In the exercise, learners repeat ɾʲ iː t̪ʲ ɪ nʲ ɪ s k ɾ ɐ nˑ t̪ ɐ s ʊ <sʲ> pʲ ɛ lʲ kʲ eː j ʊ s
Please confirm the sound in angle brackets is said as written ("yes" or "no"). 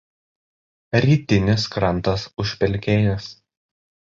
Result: no